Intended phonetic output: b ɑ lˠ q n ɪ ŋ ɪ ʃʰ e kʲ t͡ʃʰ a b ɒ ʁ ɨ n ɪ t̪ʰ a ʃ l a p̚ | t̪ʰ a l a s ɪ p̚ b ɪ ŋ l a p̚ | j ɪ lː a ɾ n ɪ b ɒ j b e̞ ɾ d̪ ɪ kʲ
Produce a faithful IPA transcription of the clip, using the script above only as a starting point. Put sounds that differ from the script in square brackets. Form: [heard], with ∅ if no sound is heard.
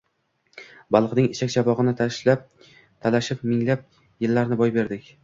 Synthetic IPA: b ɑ lˠ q n ɪ ŋ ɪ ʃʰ [a] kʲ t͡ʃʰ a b ɒ ʁ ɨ n ɪ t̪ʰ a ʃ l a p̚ | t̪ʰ a l a [ʃ] ɪ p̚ [m] ɪ ŋ l a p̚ | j ɪ lː a ɾ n ɪ b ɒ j b e̞ ɾ d̪ ɪ kʲ